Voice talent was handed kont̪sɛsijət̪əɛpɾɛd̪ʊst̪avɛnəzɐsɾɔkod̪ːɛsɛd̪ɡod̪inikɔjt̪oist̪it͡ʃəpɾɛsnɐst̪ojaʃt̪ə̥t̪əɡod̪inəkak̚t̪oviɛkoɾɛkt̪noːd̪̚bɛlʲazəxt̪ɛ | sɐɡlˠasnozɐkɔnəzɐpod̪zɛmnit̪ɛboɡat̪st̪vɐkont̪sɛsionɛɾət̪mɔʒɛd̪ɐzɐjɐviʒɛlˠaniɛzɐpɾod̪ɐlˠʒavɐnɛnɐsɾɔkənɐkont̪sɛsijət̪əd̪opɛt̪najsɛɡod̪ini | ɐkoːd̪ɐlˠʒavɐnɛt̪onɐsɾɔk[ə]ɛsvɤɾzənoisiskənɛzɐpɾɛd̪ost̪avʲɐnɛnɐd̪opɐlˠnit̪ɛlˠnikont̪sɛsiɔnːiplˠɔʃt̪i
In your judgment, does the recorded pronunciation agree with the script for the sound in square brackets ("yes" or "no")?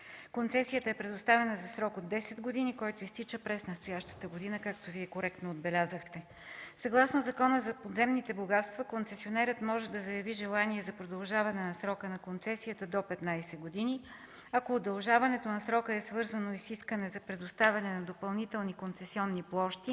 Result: yes